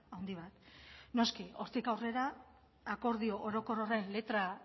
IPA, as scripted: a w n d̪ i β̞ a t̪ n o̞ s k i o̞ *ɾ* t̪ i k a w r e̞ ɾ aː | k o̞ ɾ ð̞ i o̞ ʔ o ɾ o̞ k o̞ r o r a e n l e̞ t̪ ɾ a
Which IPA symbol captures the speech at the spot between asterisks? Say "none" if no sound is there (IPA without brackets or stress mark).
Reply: ɾ